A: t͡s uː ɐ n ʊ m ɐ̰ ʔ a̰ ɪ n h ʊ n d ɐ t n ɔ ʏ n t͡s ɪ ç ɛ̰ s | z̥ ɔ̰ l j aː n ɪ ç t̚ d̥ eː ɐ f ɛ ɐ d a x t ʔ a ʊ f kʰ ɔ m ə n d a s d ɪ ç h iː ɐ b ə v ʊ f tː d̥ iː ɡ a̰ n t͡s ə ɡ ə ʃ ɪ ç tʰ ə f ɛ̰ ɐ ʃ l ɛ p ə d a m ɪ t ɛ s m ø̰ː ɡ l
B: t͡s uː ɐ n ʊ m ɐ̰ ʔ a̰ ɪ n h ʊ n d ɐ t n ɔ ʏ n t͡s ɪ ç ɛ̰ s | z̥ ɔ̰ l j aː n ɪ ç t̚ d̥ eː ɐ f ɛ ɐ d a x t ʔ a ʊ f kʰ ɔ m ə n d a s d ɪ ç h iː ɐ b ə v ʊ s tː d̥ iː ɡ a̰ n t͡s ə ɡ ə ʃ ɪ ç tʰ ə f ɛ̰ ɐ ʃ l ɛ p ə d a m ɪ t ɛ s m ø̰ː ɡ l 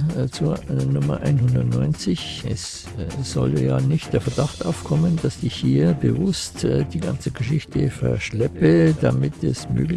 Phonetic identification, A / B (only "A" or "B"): B